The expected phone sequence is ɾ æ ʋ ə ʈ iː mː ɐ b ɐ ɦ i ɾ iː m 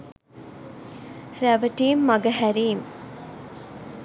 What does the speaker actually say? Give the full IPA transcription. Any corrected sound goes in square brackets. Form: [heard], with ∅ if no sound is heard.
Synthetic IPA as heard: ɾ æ ʋ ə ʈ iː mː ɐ [ɡ] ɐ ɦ [æ] ɾ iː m

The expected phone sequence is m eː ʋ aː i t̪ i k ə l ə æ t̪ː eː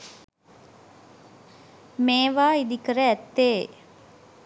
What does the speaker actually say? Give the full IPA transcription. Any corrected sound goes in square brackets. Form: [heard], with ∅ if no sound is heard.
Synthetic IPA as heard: m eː ʋ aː i [d̪] i k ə [ɾ] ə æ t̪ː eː

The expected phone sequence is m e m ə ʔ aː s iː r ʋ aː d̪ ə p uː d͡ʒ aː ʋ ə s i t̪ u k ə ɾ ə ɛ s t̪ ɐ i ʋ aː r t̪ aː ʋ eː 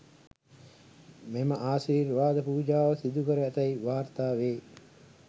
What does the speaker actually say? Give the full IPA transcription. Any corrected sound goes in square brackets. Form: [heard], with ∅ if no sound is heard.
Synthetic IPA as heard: m e m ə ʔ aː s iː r ʋ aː d̪ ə p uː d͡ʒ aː ʋ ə s i [d̪] u k ə ɾ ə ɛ [∅] t̪ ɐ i ʋ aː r t̪ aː ʋ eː

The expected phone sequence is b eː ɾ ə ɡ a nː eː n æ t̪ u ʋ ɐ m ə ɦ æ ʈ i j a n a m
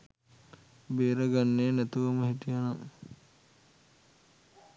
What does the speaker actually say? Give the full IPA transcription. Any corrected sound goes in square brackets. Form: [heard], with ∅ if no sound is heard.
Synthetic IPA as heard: b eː ɾ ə ɡ a nː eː n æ t̪ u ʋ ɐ m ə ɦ [i] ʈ i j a n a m

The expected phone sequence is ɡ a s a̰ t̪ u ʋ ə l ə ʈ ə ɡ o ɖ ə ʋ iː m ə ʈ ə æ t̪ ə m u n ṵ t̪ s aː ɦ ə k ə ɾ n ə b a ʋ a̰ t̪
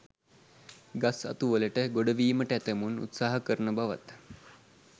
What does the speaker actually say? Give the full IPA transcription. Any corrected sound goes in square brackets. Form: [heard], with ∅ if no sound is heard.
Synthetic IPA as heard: ɡ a s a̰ t̪ u ʋ ə l ə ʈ ə ɡ o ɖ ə ʋ iː m ə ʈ ə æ t̪ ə m u n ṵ t̪ s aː ɦ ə k ə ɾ n ə b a ʋ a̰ t̪

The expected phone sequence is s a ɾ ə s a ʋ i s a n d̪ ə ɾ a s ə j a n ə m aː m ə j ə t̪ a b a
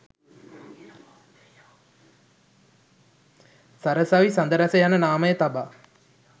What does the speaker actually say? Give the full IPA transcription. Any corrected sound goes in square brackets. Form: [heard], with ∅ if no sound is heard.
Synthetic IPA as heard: s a ɾ ə s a ʋ i s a n d̪ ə ɾ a s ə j a n ə [n] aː m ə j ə t̪ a b a

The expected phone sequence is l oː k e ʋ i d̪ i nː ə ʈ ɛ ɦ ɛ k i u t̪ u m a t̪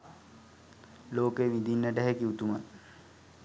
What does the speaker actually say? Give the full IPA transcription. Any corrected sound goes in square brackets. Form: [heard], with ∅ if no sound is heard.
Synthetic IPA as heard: l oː k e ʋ i d̪ i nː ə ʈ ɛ ɦ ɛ k i u t̪ u m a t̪

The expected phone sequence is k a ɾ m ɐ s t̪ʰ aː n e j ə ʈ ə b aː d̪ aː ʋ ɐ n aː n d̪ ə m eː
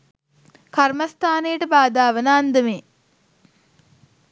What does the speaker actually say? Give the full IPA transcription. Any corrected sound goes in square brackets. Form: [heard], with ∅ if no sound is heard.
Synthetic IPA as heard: k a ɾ m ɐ s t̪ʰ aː n e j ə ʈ ə b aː d̪ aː ʋ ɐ n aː n d̪ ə m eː

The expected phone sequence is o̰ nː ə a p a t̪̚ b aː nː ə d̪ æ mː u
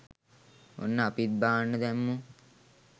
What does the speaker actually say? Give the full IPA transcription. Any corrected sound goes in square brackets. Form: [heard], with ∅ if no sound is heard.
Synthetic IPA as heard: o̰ nː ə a p [i] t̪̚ b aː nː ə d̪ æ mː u

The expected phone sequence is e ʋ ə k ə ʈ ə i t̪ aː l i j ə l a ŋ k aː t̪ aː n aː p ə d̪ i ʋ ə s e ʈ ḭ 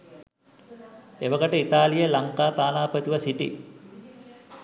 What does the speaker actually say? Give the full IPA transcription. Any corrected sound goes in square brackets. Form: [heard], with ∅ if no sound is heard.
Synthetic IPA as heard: e ʋ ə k ə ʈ ə i t̪ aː l i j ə l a ŋ k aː t̪ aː n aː p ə [t̪] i ʋ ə s [i] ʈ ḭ

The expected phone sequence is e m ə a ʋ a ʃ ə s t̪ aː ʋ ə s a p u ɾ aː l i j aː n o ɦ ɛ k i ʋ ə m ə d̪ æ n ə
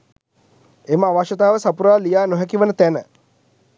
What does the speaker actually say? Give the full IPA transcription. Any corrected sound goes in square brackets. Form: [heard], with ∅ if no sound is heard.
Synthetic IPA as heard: e m ə a ʋ a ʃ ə [∅] t̪ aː ʋ ə s a p u ɾ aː l i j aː n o ɦ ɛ k i ʋ ə [n] ə [t̪] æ n ə

